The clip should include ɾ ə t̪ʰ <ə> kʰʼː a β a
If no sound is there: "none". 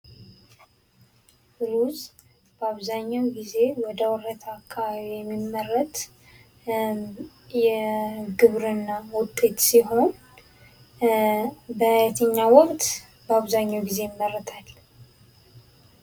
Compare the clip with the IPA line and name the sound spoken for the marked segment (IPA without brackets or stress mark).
a